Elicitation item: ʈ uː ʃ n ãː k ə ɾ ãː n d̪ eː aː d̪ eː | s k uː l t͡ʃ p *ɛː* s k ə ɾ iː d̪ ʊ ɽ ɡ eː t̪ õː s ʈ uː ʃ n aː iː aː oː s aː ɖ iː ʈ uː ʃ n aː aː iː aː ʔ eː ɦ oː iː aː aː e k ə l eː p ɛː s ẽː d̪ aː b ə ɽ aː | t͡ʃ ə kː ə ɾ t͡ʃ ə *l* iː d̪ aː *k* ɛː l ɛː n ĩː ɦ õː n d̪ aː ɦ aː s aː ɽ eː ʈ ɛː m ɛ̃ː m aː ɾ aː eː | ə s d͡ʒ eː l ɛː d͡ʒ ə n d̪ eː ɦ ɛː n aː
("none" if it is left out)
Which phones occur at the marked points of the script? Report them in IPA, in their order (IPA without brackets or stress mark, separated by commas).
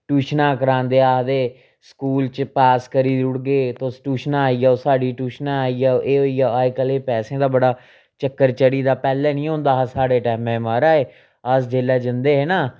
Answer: aː, ɽ, p